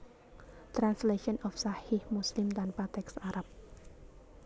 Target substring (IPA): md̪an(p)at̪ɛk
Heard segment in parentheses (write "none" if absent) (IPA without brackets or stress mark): p